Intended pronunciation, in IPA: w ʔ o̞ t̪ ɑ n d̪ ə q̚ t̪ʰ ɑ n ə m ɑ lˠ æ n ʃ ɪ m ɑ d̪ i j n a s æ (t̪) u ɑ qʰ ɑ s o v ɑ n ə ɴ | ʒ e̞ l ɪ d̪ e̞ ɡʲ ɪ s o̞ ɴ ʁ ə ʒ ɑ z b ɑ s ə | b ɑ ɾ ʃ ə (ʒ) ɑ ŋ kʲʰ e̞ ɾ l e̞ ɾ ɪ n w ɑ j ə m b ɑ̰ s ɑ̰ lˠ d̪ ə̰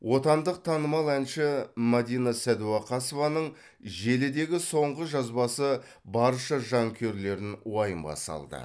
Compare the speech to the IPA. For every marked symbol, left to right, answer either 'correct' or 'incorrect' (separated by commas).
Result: incorrect, correct